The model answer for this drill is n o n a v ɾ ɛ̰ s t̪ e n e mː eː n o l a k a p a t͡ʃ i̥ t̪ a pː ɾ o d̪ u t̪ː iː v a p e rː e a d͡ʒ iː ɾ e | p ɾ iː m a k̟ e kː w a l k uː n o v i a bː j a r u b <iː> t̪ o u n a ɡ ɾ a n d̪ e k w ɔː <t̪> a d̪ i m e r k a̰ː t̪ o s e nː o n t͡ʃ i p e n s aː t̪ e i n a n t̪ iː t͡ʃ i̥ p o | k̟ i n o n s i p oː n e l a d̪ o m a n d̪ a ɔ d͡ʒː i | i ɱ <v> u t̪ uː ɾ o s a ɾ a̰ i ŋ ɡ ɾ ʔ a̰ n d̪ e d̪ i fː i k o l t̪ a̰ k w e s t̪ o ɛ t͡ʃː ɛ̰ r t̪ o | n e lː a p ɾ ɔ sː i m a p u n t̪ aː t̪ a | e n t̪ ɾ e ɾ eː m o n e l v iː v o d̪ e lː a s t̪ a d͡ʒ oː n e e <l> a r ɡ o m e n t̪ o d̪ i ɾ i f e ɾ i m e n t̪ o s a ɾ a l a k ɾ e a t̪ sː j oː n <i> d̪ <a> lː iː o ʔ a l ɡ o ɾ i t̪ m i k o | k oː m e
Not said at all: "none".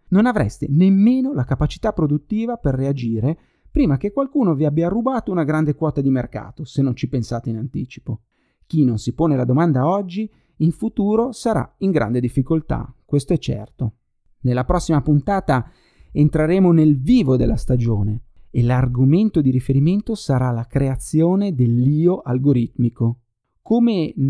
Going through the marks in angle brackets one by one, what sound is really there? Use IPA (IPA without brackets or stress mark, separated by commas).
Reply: aː, t̪, f, l, e, e